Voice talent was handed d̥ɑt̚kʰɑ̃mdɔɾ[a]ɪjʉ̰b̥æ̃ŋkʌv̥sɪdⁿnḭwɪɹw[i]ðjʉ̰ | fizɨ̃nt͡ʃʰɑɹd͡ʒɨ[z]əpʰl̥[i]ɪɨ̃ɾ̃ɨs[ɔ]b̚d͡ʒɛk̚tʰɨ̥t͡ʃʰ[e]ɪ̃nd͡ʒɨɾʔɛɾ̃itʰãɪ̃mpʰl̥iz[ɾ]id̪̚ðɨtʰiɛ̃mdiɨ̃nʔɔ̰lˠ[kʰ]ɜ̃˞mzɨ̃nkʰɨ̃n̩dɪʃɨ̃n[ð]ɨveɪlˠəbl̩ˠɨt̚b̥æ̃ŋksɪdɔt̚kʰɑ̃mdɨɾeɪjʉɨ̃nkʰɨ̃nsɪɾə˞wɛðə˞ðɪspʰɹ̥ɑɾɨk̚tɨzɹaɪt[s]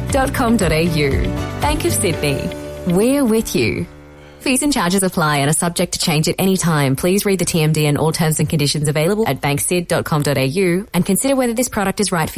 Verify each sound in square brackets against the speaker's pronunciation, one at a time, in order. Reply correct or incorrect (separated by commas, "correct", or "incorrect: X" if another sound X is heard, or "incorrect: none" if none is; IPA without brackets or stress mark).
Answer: incorrect: e, incorrect: ɪ, correct, incorrect: a, incorrect: ʌ, incorrect: ẽ, incorrect: ɹ, incorrect: tʰ, incorrect: z, incorrect: f